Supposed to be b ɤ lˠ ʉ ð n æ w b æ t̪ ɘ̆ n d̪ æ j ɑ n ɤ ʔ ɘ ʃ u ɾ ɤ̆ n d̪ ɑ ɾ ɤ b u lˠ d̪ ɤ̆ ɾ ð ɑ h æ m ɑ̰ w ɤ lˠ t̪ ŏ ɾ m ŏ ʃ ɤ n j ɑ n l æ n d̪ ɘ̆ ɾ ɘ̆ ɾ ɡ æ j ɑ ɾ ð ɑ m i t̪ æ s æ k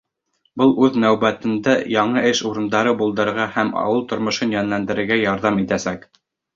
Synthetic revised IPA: b ɤ lˠ ʉ ð n æ w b æ t̪ ɘ̆ n d̪ æ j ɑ ɴ ɤ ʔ ɘ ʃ u ɾ ɤ̆ n d̪ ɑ ɾ ɤ b u lˠ d̪ ɤ̆ ɾ ʁ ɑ h æ m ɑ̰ w ɤ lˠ t̪ ŏ ɾ m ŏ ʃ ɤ n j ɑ n l æ n d̪ ɘ̆ ɾ ɘ̆ ɾ ɡ æ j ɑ ɾ ð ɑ m i t̪ æ s æ k